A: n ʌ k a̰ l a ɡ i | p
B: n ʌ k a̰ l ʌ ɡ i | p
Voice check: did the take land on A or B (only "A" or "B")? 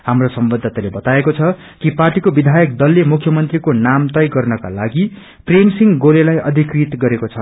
A